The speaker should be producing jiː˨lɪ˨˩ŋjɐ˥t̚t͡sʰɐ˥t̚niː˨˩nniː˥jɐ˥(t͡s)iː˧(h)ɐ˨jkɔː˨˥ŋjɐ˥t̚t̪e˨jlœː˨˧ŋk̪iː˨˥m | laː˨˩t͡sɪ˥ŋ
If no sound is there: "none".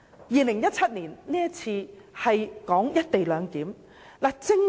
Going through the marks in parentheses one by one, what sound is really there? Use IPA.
t͡sʰ, h

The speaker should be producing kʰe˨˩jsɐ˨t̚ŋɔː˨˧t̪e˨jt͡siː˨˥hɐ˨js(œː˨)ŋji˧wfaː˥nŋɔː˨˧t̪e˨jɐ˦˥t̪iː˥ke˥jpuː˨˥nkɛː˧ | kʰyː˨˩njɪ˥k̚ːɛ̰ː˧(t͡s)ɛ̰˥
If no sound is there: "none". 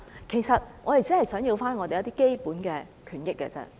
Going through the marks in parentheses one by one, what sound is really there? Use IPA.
œː˨˥, t͡s

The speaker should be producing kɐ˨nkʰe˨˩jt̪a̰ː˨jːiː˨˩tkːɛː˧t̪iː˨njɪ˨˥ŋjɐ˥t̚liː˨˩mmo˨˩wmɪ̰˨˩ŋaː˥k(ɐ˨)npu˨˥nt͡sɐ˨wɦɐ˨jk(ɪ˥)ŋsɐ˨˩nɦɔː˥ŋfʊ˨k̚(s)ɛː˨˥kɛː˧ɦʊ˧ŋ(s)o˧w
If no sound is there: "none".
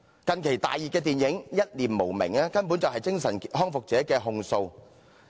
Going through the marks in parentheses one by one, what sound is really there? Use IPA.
ɐ˥, ɪ˥, t͡s, s

